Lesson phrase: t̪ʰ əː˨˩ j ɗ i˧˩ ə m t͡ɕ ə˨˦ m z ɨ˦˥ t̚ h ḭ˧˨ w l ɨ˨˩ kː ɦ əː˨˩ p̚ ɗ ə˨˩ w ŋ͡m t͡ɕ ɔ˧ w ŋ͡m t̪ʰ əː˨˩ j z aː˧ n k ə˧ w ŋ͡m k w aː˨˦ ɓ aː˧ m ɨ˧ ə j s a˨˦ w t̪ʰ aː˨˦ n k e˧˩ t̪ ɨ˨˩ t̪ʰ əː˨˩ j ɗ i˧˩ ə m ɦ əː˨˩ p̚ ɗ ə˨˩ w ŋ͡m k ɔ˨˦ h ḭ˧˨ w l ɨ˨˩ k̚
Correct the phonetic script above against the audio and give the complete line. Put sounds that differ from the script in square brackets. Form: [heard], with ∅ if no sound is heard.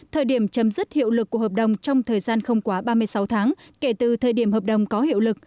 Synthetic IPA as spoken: t̪ʰ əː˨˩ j ɗ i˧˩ ə m t͡ɕ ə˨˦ m z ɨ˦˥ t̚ h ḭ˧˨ w l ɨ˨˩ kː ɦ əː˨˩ p̚ ɗ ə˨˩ w ŋ͡m t͡ɕ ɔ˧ w ŋ͡m t̪ʰ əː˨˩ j z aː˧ n [x] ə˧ w ŋ͡m k w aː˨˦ ɓ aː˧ m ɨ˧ ə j s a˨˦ w t̪ʰ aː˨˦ [ŋ] k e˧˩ t̪ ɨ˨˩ t̪ʰ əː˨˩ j ɗ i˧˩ ə m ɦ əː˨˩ p̚ ɗ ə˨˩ w ŋ͡m k ɔ˨˦ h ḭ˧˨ w l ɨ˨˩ k̚